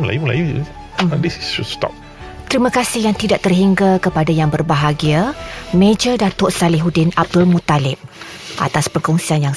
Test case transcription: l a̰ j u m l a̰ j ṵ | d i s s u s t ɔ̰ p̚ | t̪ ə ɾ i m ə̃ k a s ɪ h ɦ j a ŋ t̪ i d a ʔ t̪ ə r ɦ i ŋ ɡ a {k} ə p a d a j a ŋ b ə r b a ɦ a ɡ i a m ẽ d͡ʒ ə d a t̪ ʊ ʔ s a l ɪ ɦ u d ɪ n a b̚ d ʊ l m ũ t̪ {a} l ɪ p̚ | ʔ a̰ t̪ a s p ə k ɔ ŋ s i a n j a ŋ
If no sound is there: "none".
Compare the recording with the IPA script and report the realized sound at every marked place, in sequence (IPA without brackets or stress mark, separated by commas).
k, a